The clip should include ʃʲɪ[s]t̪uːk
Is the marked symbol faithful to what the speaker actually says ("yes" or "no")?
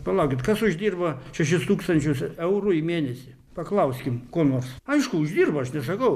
yes